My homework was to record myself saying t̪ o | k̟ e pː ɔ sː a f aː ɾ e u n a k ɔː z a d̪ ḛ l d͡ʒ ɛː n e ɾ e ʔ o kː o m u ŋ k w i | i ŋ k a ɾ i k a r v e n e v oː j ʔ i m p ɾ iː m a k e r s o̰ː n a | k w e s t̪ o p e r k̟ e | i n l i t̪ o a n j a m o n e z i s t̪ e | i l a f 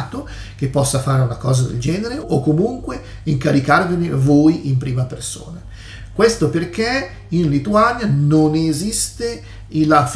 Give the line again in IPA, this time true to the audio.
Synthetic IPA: t̪ o | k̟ e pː ɔ sː a f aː ɾ e u n a k ɔː z a d̪ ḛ l d͡ʒ ɛː n e ɾ e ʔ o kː o m u ŋ k w e | i ŋ k a ɾ i k a r v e n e v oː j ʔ i m p ɾ iː m a p e r s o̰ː n a | k w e s t̪ o p e r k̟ e | i n l i t̪ u a n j a n o n e z i s t̪ e | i l a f